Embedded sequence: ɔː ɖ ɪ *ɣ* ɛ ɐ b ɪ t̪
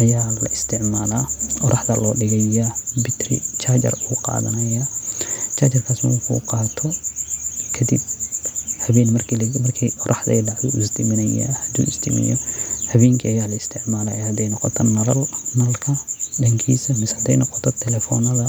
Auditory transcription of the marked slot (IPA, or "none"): ɣ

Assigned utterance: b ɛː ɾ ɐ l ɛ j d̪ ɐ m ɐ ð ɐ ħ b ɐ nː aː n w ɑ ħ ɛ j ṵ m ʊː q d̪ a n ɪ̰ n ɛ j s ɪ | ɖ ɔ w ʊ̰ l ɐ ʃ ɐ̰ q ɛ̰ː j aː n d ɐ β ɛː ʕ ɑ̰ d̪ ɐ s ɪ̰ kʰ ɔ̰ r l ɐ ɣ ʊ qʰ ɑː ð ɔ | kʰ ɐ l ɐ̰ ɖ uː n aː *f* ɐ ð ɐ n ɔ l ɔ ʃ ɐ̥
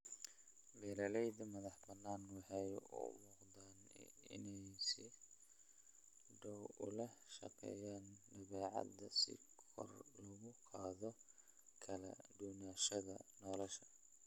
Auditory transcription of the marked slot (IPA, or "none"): ʃ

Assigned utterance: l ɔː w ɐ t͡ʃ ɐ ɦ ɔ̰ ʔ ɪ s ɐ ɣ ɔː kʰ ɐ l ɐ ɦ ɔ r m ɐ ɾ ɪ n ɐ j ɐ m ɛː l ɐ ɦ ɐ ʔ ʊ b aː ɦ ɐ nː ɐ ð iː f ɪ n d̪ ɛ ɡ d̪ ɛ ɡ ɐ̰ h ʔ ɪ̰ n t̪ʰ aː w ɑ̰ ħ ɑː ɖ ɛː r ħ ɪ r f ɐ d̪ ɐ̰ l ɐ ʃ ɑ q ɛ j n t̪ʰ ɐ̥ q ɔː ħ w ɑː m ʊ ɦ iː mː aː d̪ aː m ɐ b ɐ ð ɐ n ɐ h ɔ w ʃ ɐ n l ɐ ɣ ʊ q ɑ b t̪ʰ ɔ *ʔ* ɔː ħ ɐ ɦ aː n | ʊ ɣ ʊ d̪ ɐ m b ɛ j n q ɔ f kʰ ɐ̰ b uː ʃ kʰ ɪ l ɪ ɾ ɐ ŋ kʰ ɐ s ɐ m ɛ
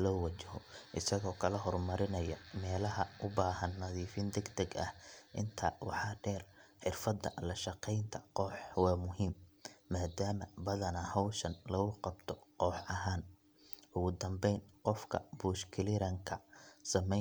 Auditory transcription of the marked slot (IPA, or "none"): q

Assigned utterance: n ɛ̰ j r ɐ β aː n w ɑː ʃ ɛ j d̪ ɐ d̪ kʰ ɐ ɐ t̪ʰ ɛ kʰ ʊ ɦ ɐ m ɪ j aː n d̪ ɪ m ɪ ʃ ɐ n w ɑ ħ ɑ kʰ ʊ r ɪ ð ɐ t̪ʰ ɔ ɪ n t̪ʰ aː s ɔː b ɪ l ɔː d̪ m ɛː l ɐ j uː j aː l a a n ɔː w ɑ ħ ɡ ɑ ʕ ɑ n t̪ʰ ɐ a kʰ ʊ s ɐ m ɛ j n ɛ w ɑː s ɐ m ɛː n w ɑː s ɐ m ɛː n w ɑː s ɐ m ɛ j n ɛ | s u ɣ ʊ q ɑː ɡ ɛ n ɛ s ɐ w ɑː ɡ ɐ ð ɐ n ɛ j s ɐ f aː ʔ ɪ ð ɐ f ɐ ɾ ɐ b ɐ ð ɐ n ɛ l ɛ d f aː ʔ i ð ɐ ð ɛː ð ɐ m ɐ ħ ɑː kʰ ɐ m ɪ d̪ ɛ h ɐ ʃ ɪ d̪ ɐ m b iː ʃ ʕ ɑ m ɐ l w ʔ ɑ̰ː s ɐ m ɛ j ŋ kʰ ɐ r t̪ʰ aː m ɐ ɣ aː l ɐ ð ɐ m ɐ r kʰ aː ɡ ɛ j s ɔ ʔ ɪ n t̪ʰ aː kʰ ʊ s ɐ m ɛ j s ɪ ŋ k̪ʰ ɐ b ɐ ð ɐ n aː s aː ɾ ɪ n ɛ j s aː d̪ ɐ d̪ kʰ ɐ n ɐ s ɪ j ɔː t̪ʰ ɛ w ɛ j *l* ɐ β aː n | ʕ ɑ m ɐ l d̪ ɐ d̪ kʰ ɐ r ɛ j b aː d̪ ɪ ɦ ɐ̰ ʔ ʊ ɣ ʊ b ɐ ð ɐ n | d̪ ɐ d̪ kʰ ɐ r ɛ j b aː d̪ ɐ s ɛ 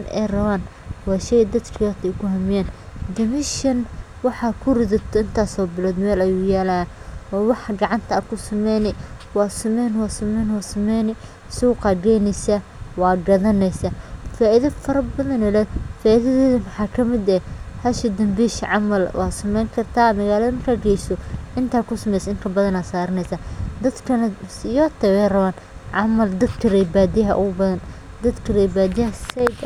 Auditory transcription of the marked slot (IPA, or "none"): r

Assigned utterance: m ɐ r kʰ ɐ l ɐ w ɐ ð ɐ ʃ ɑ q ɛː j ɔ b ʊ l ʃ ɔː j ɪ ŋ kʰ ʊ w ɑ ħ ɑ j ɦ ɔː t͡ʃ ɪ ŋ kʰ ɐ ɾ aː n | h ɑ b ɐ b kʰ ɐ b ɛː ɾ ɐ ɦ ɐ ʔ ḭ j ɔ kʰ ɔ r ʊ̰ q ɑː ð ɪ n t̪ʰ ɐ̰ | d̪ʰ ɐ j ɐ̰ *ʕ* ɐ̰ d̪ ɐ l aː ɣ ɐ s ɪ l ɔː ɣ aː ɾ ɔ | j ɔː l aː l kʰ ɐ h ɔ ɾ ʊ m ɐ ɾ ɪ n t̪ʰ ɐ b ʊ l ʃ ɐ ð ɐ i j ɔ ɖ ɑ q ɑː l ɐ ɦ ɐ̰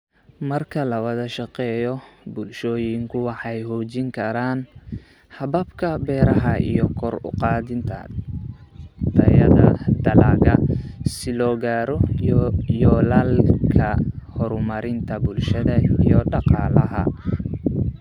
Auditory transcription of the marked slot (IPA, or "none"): ð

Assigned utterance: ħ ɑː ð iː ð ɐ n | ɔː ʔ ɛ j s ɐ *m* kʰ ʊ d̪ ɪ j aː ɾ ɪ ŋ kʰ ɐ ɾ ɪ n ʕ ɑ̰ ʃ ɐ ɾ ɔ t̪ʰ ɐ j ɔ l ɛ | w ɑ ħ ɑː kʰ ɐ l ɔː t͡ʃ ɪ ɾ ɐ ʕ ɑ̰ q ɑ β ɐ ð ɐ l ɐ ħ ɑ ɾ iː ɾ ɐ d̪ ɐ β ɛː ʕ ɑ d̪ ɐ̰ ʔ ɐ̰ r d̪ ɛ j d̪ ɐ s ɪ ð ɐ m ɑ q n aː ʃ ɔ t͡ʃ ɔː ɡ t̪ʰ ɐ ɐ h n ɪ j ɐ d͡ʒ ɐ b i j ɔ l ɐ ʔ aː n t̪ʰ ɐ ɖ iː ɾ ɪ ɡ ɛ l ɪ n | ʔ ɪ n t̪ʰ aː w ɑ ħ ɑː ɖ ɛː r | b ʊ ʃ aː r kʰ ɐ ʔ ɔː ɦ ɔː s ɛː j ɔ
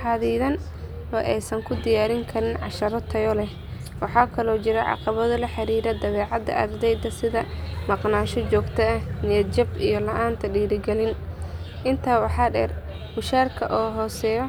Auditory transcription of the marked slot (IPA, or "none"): ŋ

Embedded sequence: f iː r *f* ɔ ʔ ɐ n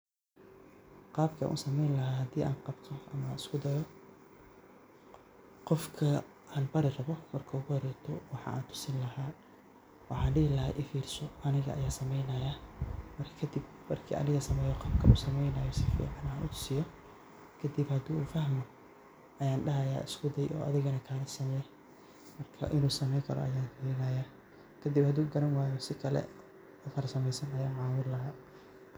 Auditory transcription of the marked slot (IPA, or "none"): s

